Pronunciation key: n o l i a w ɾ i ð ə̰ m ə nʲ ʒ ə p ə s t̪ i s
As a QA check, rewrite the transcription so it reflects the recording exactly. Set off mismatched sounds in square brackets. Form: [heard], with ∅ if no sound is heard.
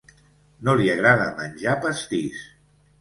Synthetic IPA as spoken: n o l i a [ɣ] ɾ [a] ð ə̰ m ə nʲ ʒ [a] p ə s t̪ i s